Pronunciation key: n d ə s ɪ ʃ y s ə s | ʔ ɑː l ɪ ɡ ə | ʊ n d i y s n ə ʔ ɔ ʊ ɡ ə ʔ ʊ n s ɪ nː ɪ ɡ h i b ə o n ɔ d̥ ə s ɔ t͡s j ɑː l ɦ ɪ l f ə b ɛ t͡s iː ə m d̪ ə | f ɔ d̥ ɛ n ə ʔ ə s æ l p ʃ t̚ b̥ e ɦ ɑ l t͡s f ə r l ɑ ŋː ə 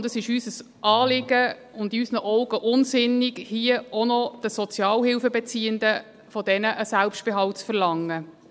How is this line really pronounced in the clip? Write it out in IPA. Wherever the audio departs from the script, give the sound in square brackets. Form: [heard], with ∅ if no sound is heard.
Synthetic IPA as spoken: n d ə s ɪ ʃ y s ə s | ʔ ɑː l ɪ ɡ ə | ʊ n d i y s n ə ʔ ɔ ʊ ɡ ə ʔ ʊ n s ɪ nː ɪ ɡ h i [∅] ə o n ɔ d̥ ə s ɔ t͡s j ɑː l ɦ ɪ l f ə b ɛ t͡s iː ə [n] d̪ ə | f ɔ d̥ ɛ n ə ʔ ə s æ l p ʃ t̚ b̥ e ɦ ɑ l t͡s f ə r l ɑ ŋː ə